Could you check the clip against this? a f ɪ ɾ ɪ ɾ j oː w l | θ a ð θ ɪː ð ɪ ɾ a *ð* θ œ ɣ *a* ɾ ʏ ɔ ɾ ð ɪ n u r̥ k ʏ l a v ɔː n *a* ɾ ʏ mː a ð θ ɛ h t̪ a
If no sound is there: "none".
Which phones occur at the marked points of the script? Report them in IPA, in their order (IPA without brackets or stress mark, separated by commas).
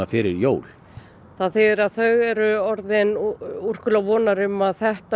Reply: ð, ɛ, a